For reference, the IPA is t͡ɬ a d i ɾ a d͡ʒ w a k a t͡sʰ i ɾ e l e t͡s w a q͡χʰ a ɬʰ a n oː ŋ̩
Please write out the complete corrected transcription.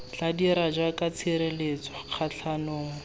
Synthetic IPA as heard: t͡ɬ a d i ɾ a d͡ʒ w a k a t͡sʰ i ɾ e l e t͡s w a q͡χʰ a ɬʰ a n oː ŋ̩